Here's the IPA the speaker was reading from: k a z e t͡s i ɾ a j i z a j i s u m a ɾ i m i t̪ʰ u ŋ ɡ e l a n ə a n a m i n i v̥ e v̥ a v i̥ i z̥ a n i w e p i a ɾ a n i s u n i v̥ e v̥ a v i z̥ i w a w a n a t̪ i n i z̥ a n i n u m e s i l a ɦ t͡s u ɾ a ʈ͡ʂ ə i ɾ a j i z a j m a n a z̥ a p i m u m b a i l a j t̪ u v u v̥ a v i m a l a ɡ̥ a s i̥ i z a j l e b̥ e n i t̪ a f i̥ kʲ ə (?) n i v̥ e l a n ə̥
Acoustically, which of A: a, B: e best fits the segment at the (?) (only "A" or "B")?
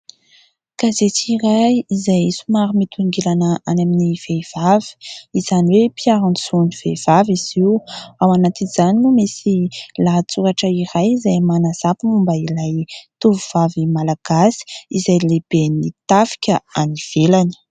A